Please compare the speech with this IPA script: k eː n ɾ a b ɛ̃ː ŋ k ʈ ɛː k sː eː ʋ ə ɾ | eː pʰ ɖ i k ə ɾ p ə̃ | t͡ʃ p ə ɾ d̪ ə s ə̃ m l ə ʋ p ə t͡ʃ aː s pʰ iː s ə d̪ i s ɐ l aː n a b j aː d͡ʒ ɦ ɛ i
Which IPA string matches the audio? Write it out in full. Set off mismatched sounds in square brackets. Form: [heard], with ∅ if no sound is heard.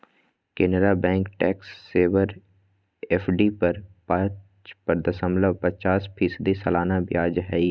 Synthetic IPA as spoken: k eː n ɾ a b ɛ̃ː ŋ k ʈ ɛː k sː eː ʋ ə ɾ | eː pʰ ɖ i [p] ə ɾ p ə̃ | t͡ʃ p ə ɾ d̪ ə s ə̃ m l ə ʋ p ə t͡ʃ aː s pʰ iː s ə d̪ i s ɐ l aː n a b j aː d͡ʒ ɦ ɛ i